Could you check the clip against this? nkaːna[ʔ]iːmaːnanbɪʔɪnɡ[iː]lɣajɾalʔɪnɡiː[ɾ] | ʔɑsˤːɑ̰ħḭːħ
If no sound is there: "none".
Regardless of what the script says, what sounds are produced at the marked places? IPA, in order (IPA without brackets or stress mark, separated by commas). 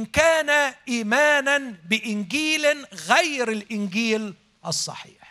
ʔ, iː, l